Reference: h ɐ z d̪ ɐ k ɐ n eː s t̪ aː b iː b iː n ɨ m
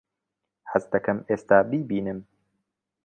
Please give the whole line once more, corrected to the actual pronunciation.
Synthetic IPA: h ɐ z d̪ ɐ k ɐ m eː s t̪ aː b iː b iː n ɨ m